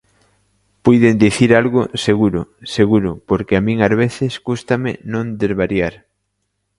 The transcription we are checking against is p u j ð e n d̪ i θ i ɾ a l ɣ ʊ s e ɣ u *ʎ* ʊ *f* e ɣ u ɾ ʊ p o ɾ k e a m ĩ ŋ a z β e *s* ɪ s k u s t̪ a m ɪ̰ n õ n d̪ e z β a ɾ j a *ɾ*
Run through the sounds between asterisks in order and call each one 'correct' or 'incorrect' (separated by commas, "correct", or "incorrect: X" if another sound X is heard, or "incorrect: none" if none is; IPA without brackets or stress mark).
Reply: incorrect: ɾ, incorrect: s, incorrect: θ, correct